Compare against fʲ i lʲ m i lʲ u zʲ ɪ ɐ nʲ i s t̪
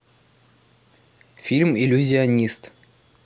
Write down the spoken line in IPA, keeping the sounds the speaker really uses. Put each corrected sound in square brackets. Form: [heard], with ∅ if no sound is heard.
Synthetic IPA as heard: fʲ i lʲ m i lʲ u zʲ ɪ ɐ nʲ i s t̪